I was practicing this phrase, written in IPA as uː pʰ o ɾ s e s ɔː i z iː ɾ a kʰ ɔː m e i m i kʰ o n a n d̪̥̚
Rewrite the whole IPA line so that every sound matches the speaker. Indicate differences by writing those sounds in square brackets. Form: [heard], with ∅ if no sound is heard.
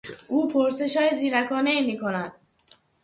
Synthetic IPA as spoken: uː pʰ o ɾ s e [ʃ] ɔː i z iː ɾ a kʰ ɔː [n] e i m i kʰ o n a n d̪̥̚